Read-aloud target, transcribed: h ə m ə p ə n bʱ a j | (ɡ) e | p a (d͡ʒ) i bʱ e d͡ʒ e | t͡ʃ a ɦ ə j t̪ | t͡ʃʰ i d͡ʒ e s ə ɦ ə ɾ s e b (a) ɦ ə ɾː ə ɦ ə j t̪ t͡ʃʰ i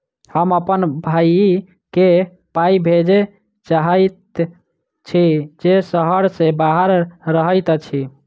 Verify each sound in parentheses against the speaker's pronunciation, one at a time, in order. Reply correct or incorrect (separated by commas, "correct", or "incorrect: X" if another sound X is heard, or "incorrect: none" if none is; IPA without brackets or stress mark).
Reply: incorrect: k, incorrect: none, correct